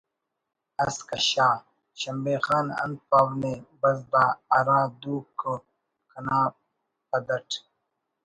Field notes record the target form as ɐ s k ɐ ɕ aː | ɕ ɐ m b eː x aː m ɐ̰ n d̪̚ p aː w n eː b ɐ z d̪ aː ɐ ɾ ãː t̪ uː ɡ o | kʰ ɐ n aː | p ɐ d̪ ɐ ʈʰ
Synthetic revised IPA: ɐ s k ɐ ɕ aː | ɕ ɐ m b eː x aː n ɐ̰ n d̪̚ p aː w n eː b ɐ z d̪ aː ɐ ɾ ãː d̪ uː k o | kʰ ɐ n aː | p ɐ d̪ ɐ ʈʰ

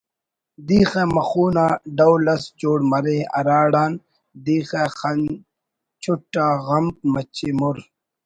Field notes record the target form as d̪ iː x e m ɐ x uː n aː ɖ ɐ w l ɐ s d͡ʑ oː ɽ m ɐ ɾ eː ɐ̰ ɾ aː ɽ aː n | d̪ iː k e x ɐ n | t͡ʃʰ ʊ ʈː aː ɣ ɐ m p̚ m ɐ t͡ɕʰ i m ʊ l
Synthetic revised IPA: d̪ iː x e m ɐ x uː n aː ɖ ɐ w l ɐ s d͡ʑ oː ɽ m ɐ ɾ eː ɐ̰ ɾ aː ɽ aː n | d̪ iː x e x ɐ n | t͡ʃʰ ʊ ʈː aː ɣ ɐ m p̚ m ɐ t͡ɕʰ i m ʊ ɾ

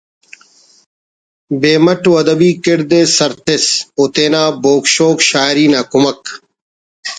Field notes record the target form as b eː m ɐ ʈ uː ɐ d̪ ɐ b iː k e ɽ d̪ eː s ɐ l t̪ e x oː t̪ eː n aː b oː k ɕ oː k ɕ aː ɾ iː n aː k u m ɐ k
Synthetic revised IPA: b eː m ɐ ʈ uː ɐ d̪ ɐ b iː k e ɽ d̪ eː s ɐ ɾ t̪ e s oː t̪ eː n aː b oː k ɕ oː k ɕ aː ɾ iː n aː k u m ɐ k

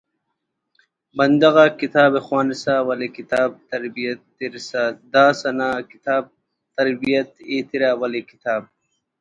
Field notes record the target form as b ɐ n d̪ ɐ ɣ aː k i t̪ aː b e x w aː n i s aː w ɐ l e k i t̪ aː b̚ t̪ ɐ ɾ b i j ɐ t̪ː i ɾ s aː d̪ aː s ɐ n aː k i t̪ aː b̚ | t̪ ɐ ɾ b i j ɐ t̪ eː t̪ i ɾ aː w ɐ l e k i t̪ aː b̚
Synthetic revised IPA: b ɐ n d̪ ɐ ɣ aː k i t̪ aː b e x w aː n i s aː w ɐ l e k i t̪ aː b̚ t̪ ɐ ɾ b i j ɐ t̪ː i ɾ s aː d̪ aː s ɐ n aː k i t̪ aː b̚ | t̪ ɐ ɾ b i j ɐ t̪ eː t̪ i ɾ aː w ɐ l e k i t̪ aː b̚

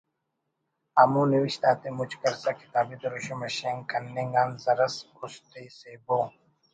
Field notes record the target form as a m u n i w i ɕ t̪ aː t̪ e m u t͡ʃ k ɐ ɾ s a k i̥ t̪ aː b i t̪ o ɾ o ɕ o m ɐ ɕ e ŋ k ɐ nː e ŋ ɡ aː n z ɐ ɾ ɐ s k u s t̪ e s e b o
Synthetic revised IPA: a m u n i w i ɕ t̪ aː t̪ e m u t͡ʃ k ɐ ɾ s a k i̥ t̪ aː b i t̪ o ɾ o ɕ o m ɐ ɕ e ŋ k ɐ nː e ŋ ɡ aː n z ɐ ɾ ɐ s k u s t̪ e s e b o

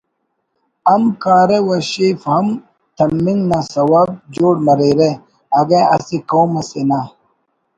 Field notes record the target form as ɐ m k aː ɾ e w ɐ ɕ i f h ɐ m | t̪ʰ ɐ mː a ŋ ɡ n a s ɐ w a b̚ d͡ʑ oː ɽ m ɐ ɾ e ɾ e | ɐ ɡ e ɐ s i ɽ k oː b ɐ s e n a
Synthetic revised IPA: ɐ m k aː ɾ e w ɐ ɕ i f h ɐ m | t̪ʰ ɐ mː i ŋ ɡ n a s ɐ w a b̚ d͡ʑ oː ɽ m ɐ ɾ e ɾ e | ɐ ɡ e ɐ s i k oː m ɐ s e n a

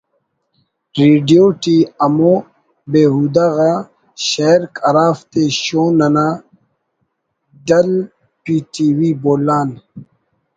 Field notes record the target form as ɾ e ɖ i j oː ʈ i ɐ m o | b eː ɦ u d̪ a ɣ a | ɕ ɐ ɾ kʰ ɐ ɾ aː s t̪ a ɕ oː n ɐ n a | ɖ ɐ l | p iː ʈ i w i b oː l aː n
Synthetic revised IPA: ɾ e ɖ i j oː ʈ i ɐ m o | b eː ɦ u d̪ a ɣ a | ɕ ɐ ɾ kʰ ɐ ɾ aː f t̪ e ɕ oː n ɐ n a | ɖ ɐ l | p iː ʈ i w i b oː l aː n

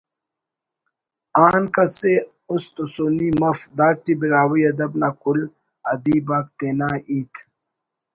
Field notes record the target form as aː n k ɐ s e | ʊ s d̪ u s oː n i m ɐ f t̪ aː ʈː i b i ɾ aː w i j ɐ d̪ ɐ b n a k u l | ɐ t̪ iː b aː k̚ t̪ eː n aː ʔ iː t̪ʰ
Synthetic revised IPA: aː n k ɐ s e | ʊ s t̪ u s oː n i m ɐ f d̪ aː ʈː i b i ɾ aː w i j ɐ d̪ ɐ b n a k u l | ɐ d̪ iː b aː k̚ t̪ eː n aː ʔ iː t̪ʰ

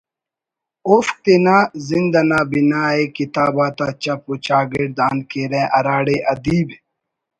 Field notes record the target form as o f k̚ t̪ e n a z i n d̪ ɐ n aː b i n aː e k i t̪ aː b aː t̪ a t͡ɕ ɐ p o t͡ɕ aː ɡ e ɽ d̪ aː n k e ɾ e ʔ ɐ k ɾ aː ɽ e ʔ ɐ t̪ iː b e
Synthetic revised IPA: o f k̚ t̪ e n a z i n d̪ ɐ n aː b i n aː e k i t̪ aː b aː t̪ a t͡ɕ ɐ p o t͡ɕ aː ɡ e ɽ d̪ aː n k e ɾ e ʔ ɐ ɾ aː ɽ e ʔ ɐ d̪ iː b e

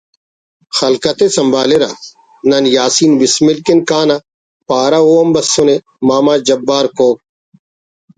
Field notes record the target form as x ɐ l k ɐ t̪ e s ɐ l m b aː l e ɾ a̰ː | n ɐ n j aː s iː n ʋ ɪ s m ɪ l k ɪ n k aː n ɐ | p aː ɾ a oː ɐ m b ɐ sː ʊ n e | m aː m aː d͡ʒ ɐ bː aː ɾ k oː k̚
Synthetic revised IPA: x ɐ l k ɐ t̪ e s ɐ m b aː l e ɾ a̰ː | n ɐ n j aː s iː n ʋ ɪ s m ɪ l k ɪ n k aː n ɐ | p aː ɾ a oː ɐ m b ɐ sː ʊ n e | m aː m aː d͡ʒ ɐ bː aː ɾ k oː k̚

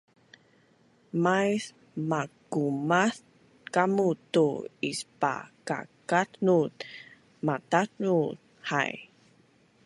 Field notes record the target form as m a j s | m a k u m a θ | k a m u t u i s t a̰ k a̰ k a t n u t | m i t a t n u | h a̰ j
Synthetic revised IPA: m a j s | m a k u m a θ | k a m u t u i s p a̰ k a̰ k a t n u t | m a t a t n u | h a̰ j

